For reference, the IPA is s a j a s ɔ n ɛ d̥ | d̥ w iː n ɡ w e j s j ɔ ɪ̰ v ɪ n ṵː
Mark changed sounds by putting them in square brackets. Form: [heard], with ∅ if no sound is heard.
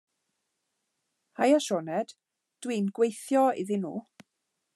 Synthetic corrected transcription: [h] a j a [ʃ] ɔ n ɛ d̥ | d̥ w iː n ɡ w e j [θ] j ɔ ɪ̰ [ð] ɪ n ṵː

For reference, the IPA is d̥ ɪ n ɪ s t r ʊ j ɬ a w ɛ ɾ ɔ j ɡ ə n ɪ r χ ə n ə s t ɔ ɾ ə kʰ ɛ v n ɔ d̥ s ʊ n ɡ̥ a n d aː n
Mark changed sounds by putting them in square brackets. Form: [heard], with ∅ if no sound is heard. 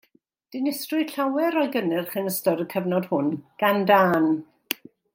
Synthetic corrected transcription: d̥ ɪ n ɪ s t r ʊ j ɬ a w ɛ ɾ ɔ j ɡ ə n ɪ r χ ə n ə s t ɔ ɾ ə kʰ ɛ v n ɔ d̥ [h] ʊ n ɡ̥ a n d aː n

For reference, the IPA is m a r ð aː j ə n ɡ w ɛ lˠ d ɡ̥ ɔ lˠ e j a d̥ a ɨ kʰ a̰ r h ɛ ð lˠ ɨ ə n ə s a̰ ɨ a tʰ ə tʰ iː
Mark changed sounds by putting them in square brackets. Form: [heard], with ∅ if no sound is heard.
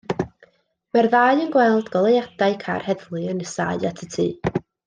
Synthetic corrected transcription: m a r ð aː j ə n ɡ w ɛ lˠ d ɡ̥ ɔ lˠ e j a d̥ a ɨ kʰ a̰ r h ɛ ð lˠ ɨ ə n ə s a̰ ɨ a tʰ ə tʰ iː

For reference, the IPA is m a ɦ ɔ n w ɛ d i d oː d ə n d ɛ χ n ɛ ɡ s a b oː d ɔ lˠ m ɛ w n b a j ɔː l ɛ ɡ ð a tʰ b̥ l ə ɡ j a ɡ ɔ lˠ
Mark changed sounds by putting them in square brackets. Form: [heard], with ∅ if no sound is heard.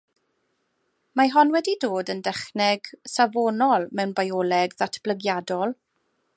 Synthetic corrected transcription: m a ɦ ɔ n w ɛ d i d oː d ə n d ɛ χ n ɛ ɡ s a [v] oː [n] ɔ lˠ m ɛ w n b a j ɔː l ɛ ɡ ð a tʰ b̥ l ə ɡ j a [d] ɔ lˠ

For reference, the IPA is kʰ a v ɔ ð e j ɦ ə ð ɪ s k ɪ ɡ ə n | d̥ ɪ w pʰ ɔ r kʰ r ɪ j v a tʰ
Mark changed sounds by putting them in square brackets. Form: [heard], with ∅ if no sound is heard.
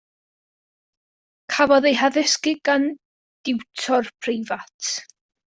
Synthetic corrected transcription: kʰ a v ɔ ð e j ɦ [a] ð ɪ s k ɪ ɡ [a] n | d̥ ɪ w [tʰ] ɔ r [pʰ] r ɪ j v a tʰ

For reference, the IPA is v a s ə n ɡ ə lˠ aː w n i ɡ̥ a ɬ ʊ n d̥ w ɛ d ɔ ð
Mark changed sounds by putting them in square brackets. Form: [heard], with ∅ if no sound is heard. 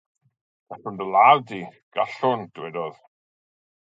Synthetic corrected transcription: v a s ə n [d] ə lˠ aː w [d] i ɡ̥ a ɬ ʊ n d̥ w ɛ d ɔ ð

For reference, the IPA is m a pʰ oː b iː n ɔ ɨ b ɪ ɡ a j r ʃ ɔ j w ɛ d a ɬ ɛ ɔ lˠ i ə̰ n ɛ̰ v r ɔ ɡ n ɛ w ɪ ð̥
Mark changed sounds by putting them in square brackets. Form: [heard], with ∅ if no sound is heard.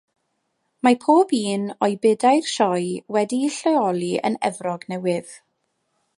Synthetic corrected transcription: m a pʰ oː b iː n ɔ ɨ b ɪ [d] a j r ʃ ɔ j w ɛ d [i] ɬ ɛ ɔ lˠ i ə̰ n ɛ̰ v r ɔ ɡ n ɛ w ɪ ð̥

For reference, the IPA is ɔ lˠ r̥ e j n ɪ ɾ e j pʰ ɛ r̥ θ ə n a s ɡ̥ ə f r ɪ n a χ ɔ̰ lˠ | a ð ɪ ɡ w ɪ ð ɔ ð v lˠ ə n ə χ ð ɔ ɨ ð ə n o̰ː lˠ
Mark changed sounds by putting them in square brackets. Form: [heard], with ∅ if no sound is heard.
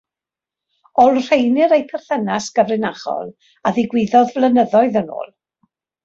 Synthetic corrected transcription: ɔ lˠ r̥ e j n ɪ ɾ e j pʰ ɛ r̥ θ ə n a s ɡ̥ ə [v] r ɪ n a χ ɔ̰ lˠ | a ð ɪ ɡ w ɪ ð ɔ ð v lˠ ə n ə [∅] ð ɔ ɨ ð ə n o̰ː lˠ

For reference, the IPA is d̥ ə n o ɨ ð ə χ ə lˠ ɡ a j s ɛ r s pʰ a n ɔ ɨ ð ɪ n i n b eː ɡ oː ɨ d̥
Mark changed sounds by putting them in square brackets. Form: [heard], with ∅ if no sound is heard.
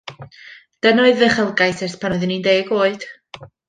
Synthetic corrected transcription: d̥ ə n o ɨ ð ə χ ə lˠ ɡ a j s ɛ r s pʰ a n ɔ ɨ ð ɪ n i n [d] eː ɡ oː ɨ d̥

